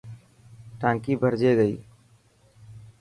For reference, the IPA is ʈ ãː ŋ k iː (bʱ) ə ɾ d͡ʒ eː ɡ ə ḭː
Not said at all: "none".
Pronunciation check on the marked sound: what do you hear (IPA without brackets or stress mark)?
bʱ